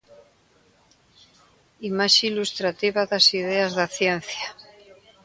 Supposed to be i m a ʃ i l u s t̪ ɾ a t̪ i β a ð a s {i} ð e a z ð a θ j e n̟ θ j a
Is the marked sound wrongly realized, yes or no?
no